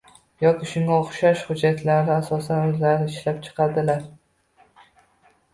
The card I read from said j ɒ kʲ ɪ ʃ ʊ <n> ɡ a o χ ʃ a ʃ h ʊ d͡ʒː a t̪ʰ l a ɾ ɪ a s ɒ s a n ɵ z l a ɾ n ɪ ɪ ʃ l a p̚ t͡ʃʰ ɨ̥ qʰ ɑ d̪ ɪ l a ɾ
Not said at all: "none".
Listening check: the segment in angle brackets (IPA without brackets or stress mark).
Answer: ŋ